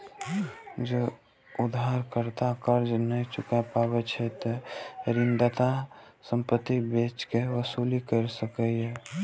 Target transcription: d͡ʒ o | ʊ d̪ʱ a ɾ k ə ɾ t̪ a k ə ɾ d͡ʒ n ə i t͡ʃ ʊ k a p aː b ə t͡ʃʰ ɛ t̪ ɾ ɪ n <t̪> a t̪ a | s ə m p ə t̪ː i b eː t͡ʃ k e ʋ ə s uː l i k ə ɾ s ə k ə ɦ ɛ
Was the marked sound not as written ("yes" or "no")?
yes